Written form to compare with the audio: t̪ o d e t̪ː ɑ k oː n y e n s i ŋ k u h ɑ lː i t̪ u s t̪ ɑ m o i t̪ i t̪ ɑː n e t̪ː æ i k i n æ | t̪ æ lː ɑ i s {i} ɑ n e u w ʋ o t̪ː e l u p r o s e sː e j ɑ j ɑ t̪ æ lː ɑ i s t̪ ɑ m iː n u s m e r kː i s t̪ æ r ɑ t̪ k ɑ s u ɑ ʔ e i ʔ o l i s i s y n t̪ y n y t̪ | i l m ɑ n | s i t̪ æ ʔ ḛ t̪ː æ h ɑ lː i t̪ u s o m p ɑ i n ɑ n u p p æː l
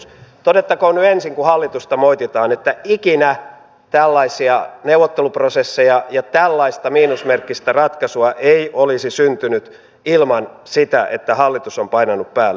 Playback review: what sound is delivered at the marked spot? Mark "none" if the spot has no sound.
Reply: i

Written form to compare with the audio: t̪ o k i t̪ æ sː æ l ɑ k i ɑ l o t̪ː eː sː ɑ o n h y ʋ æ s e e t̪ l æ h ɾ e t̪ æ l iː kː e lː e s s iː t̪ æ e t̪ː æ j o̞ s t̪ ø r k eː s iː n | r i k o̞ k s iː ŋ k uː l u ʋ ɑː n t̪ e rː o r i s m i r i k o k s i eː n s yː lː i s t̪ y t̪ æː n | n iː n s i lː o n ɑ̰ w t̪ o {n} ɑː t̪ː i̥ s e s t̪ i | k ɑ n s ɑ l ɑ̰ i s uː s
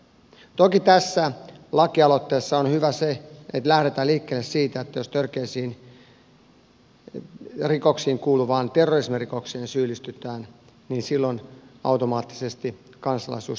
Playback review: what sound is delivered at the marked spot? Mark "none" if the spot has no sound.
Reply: m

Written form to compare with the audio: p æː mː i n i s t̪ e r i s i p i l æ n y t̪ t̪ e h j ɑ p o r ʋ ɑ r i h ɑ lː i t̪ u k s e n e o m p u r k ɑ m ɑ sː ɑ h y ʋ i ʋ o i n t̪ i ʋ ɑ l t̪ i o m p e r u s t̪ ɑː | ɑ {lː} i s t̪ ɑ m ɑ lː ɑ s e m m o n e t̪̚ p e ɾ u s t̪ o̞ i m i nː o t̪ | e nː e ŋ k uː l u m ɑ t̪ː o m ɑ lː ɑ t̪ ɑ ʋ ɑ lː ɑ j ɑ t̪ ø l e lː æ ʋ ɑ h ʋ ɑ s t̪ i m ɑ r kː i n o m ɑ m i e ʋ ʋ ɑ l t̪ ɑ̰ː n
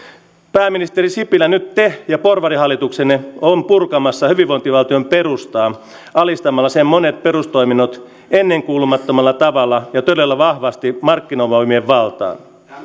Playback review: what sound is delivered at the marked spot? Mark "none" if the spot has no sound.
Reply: l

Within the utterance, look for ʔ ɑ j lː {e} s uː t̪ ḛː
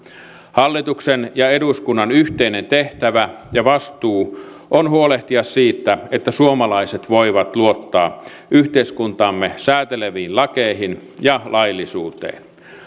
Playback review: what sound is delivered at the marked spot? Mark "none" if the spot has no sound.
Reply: i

